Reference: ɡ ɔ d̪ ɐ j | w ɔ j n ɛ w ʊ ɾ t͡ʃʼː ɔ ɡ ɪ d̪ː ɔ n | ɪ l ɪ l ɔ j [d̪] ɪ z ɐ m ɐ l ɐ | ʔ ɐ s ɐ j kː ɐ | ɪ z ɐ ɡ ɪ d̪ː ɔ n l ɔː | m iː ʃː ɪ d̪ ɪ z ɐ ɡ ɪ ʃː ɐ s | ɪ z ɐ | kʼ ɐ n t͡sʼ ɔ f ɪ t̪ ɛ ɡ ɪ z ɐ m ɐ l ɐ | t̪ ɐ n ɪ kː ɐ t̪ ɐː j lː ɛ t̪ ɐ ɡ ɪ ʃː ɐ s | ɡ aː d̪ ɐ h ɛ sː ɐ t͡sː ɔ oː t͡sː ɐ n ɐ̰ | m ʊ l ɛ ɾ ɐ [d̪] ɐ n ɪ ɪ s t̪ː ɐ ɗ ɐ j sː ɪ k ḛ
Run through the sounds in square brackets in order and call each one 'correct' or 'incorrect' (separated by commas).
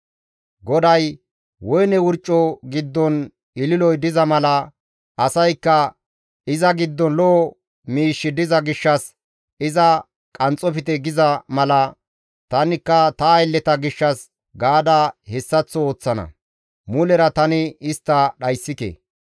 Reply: correct, incorrect